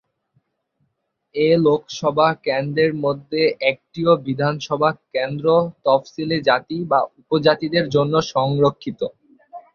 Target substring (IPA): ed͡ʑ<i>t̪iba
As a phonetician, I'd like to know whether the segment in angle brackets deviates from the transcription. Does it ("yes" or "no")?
yes